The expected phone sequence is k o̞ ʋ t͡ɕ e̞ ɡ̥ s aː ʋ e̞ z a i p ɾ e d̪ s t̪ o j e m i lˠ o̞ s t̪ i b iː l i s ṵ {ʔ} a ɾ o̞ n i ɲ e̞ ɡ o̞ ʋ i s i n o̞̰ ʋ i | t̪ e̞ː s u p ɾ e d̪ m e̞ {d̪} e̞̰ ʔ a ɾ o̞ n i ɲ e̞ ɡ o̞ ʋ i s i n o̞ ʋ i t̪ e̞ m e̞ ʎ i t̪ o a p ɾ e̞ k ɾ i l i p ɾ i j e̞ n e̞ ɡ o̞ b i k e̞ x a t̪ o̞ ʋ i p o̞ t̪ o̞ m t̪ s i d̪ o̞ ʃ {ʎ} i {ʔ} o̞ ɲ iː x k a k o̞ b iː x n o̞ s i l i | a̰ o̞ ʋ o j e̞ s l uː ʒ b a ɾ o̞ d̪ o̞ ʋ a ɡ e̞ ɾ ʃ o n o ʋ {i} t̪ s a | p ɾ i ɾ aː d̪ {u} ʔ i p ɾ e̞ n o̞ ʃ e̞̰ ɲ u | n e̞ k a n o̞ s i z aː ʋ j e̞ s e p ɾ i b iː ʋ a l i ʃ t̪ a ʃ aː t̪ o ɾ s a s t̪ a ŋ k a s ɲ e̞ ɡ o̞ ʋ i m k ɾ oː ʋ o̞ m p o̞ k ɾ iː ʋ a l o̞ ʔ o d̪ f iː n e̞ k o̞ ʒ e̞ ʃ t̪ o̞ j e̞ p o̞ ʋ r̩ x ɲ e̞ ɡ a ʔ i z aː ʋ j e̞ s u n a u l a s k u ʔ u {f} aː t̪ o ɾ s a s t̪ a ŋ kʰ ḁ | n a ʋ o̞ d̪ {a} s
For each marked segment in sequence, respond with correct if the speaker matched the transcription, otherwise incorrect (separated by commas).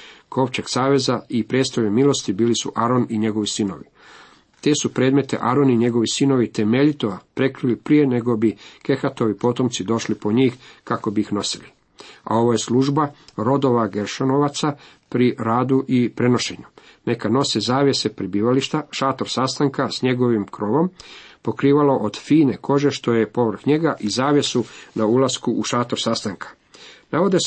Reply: correct, incorrect, incorrect, incorrect, incorrect, correct, incorrect, incorrect